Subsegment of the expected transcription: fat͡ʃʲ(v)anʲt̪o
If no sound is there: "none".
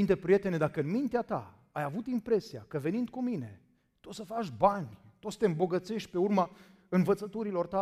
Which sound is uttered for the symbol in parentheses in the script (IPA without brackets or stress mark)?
b